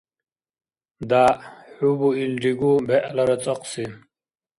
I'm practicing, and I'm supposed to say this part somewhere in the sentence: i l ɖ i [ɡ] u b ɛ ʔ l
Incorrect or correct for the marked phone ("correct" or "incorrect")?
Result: correct